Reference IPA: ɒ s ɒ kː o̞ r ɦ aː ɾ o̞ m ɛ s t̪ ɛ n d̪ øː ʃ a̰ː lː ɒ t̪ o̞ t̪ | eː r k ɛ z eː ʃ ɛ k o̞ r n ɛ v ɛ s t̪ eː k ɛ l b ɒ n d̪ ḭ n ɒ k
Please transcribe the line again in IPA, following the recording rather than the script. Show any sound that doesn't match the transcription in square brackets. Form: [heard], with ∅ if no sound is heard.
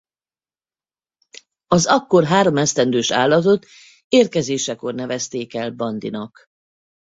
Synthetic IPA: ɒ [z] ɒ kː o̞ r ɦ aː ɾ o̞ m ɛ s t̪ ɛ n d̪ øː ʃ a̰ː lː ɒ t̪ o̞ t̪ | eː r k ɛ z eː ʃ ɛ k o̞ r n ɛ v ɛ s t̪ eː k ɛ l b ɒ n d̪ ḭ n ɒ k